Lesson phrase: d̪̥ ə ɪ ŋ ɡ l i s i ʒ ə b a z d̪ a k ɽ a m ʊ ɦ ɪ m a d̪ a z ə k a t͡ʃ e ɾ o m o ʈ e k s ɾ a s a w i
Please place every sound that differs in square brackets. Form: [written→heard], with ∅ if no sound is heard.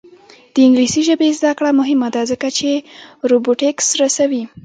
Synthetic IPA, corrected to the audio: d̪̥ ə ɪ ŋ ɡ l i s i ʒ ə b [a→e] z d̪ a k ɽ a m ʊ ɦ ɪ m a d̪ a z ə k a t͡ʃ e ɾ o [m→b] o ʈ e k s ɾ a s a w i